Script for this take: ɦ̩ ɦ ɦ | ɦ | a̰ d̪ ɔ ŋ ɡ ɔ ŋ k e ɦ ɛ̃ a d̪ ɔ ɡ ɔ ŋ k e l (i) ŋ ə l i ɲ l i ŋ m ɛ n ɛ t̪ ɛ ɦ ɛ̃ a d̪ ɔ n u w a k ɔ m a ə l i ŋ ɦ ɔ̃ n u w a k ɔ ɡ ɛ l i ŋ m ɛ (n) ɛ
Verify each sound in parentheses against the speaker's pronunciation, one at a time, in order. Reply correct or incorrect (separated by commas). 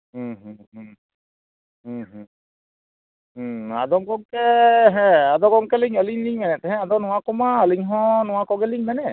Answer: correct, correct